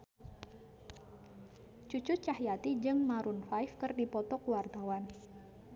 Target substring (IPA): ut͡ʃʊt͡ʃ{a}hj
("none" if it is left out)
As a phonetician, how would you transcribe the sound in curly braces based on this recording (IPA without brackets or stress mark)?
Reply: a